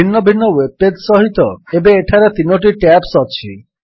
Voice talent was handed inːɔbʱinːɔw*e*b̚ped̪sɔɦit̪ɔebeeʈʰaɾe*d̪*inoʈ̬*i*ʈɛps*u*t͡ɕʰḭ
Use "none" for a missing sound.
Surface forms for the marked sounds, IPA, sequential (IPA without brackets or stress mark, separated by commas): e, t̪, i, ɔ